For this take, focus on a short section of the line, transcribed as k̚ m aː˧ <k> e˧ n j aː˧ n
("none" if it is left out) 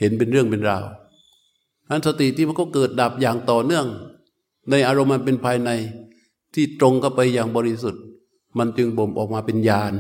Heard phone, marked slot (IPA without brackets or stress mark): p